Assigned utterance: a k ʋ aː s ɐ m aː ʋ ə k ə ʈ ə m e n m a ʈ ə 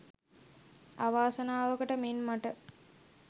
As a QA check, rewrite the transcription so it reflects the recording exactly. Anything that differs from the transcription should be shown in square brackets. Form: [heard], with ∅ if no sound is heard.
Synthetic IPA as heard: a [∅] ʋ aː s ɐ [n] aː ʋ ə k ə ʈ ə m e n m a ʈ ə